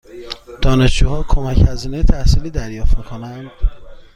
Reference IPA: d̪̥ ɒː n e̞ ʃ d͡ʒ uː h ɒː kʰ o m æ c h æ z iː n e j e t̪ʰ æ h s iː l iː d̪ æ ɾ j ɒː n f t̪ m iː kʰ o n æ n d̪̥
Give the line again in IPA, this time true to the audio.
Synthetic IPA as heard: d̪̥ ɒː n e̞ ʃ d͡ʒ uː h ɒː kʰ o m æ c h æ z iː n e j e t̪ʰ æ h s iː l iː d̪ æ ɾ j ɒː f t̪ m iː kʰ o n æ n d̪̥